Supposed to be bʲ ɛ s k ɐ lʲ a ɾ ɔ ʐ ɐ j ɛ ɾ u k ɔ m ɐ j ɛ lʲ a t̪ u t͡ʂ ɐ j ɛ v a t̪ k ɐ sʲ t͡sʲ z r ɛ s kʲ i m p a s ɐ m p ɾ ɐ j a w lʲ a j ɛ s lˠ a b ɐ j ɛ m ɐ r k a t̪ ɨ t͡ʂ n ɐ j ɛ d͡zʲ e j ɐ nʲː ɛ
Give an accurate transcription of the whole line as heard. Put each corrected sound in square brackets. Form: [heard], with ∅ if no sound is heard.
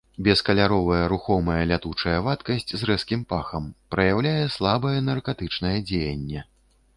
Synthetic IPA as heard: bʲ ɛ s k ɐ lʲ a ɾ ɔ [v] ɐ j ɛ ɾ u [x] ɔ m ɐ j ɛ lʲ a t̪ u t͡ʂ ɐ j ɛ v a t̪ k ɐ sʲ t͡sʲ z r ɛ s kʲ i m p a [x] ɐ m p ɾ ɐ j a w lʲ a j ɛ s lˠ a b ɐ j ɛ [n] ɐ r k a t̪ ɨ t͡ʂ n ɐ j ɛ d͡zʲ e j ɐ nʲː ɛ